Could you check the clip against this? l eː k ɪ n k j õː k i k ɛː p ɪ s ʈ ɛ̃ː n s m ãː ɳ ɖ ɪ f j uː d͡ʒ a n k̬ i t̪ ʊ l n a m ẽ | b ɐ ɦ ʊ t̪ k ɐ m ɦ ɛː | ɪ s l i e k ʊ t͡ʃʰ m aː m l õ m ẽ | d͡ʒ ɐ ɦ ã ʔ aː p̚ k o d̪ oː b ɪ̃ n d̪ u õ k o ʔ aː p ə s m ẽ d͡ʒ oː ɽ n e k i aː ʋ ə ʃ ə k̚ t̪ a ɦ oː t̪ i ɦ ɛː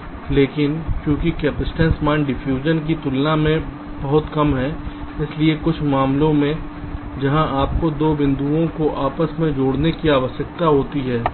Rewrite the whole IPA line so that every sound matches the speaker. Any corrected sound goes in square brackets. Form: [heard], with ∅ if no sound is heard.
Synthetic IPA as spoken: l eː k ɪ n k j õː k i k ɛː p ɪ s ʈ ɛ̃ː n s m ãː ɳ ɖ ɪ f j uː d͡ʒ [ə] n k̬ i t̪ ʊ l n a m ẽ | b ɐ ɦ ʊ t̪ k ɐ m ɦ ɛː | ɪ s l i e k ʊ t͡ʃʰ m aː m l õ m ẽ | d͡ʒ ɐ ɦ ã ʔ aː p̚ k o d̪ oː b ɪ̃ n d̪ u õ k o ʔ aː p ə s m ẽ d͡ʒ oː ɽ n e k i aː ʋ ə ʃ ə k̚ t̪ a ɦ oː t̪ i ɦ ɛː